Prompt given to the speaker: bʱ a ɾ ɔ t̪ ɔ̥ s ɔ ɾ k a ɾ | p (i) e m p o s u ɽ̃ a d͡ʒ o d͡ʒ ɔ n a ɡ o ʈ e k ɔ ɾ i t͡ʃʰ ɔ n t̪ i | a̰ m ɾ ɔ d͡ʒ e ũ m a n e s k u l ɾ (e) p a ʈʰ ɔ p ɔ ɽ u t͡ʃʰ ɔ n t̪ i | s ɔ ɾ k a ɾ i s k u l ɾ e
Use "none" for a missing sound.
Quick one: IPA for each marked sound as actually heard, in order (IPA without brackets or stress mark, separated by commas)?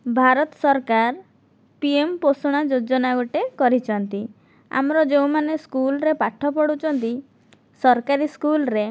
i, e